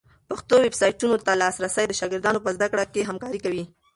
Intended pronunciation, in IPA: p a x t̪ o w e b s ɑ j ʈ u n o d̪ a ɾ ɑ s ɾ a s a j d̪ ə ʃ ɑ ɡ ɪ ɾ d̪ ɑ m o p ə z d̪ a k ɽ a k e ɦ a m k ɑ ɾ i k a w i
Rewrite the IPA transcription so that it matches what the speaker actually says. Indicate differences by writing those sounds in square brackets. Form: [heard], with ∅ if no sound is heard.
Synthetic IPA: p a x t̪ o w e b s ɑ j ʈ u n o [t̪] a [l] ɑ s ɾ a s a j d̪ ə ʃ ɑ ɡ ɪ ɾ d̪ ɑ [n] o p ə z d̪ a k ɽ a k e ɦ a m k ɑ ɾ i k a w i